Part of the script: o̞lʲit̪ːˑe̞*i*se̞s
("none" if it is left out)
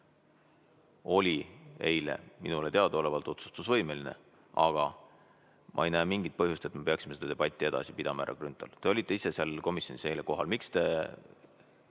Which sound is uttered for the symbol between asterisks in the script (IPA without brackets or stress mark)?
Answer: i